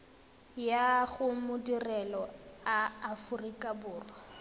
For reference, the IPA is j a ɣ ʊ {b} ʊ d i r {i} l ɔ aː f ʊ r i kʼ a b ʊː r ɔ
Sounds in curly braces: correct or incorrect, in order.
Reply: incorrect, incorrect

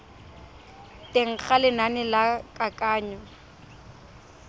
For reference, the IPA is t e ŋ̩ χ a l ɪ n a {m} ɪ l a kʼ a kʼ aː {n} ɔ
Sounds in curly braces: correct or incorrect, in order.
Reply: incorrect, incorrect

